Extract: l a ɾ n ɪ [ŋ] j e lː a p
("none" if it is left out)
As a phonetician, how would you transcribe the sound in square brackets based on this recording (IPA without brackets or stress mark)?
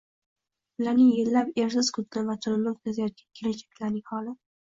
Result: ŋ